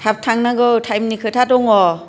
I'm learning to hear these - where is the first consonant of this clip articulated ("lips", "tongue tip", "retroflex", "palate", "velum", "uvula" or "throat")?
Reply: throat